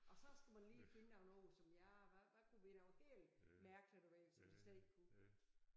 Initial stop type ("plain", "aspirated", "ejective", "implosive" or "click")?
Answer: plain